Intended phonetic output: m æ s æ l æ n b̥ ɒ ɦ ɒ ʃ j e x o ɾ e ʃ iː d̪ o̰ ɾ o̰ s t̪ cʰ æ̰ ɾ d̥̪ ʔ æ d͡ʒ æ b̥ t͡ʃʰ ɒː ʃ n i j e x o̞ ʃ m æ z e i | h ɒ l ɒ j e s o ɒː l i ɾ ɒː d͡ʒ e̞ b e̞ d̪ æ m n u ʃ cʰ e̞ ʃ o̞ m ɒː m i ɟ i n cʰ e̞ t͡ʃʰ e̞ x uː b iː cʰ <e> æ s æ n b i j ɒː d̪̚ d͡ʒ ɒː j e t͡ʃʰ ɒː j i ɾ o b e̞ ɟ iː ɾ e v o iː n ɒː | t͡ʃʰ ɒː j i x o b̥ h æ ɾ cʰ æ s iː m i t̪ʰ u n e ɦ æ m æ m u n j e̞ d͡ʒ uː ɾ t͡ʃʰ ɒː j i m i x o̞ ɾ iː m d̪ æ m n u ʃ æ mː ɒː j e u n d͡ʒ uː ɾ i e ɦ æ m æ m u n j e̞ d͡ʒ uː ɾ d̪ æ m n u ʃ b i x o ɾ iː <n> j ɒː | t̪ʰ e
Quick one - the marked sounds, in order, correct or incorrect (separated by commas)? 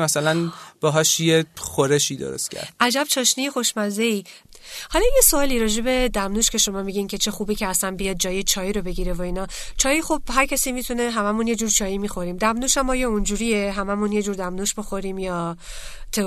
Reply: correct, incorrect